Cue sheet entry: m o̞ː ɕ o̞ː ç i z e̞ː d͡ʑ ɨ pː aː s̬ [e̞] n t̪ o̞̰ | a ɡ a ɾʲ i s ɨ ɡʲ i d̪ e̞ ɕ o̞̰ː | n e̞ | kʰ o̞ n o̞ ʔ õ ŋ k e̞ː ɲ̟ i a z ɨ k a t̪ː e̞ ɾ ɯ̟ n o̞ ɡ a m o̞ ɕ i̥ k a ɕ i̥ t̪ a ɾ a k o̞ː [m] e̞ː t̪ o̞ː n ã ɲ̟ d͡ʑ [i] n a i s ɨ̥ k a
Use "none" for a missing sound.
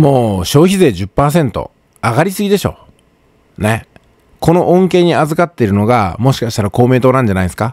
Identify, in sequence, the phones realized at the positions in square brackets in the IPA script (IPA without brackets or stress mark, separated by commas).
ẽ̞, m, a